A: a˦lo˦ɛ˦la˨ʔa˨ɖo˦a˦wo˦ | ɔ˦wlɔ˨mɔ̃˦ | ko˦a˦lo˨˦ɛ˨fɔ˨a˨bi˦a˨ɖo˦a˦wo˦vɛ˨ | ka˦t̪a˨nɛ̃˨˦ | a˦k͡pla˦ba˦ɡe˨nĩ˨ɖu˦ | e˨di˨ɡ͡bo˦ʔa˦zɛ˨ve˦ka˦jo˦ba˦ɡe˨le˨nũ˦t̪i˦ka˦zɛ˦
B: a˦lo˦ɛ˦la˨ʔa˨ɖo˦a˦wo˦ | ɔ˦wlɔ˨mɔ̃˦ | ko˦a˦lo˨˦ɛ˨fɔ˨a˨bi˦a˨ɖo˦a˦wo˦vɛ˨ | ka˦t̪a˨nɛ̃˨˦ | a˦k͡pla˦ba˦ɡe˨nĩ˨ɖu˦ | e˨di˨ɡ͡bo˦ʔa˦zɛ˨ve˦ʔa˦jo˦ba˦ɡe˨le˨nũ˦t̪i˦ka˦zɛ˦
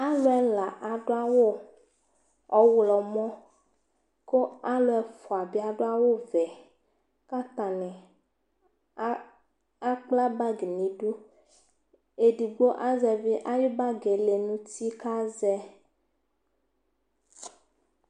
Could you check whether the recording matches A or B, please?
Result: B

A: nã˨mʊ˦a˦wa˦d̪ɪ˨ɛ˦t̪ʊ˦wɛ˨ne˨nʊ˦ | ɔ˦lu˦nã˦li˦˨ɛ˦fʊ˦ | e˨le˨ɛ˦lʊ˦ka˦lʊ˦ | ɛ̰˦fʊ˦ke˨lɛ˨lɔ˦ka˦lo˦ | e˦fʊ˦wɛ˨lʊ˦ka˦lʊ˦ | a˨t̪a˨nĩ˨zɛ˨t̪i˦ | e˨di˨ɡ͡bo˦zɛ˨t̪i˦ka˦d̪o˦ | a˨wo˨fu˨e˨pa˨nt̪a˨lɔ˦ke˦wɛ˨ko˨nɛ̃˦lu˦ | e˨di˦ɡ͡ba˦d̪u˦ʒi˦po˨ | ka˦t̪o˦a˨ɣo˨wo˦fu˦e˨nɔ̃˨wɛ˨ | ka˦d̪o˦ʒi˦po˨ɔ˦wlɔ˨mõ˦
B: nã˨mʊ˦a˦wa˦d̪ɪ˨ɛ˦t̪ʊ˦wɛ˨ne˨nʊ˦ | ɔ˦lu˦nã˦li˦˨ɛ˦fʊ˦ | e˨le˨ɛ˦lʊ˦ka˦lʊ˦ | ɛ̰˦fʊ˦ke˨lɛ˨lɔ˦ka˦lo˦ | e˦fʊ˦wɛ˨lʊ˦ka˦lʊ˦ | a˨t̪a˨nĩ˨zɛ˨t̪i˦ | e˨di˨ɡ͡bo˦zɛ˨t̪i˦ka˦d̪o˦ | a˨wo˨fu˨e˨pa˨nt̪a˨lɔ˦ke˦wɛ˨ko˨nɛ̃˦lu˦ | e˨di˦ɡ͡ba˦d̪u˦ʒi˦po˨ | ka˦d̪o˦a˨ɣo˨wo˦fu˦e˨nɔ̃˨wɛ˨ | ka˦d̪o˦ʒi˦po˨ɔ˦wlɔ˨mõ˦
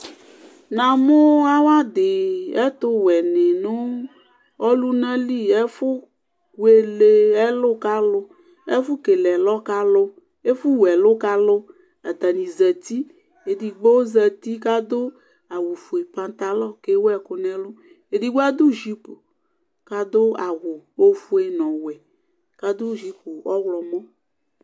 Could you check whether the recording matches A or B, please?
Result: B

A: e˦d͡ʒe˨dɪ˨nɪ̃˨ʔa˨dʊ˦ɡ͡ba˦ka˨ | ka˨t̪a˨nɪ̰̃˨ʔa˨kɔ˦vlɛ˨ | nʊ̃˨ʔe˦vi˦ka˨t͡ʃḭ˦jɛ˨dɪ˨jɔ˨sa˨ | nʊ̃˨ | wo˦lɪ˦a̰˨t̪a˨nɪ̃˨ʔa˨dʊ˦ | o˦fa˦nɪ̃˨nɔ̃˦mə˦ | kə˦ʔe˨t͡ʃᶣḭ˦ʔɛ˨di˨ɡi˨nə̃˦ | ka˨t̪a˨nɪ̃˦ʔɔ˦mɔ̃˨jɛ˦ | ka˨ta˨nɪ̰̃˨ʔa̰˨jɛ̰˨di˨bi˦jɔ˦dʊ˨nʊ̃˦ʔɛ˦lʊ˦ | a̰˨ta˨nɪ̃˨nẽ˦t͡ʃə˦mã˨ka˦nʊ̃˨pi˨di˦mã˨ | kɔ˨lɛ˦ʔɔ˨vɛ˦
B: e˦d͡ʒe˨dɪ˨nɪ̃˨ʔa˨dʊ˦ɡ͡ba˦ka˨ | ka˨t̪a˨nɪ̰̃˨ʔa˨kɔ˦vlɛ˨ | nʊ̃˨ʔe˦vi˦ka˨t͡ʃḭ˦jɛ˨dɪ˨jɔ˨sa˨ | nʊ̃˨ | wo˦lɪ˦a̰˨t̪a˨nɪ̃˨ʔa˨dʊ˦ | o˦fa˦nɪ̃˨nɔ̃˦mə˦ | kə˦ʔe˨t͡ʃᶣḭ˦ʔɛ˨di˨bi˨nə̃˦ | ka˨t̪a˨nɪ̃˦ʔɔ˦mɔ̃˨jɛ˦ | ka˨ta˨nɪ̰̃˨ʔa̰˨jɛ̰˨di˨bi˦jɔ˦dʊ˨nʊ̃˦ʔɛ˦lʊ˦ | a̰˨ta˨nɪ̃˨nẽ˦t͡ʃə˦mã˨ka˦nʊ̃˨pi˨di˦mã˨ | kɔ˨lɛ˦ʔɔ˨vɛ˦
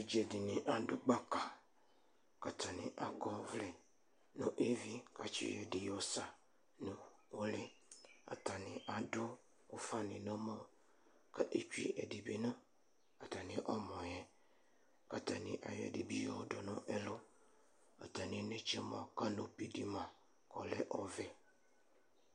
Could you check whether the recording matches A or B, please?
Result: B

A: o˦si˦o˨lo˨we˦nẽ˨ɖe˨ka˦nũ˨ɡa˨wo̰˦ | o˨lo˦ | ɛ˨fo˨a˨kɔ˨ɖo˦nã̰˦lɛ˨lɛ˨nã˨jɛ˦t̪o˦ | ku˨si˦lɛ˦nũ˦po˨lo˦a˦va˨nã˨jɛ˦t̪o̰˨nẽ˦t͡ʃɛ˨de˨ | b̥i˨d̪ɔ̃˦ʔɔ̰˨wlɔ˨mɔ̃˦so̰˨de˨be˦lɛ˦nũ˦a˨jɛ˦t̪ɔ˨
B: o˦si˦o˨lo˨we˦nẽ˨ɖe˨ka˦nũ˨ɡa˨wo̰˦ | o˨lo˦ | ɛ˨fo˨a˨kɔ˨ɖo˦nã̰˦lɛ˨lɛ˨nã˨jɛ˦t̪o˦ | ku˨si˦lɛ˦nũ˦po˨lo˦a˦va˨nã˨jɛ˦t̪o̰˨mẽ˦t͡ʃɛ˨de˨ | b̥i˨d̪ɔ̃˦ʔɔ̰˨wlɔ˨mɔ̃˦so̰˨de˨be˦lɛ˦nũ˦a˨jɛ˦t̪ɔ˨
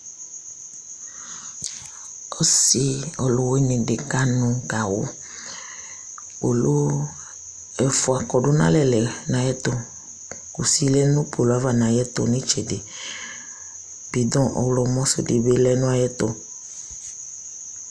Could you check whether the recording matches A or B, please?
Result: A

